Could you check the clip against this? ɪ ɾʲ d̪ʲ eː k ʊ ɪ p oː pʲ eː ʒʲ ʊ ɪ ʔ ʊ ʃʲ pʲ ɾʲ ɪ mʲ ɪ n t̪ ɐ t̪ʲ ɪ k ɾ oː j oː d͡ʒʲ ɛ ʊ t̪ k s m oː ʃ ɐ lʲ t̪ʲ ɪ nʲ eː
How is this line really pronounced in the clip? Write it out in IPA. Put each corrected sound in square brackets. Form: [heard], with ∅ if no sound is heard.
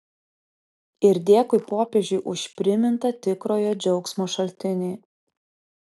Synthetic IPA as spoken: ɪ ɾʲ d̪ʲ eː k ʊ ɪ p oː pʲ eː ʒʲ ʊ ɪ ʔ ʊ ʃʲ pʲ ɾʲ ɪ mʲ ɪ n t̪ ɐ t̪ʲ ɪ k ɾ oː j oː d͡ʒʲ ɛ ʊ [∅] k s m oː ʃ ɐ lʲ t̪ʲ ɪ nʲ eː